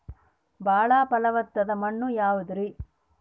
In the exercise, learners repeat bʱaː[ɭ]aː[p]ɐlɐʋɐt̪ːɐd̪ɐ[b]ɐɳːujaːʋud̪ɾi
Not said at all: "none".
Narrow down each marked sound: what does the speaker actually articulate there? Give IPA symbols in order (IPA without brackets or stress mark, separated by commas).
ɭ, p, m